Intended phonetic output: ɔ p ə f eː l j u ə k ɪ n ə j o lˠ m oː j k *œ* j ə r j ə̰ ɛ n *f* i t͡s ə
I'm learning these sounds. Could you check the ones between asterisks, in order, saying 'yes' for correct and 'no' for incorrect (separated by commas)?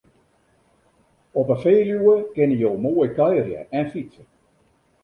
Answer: yes, yes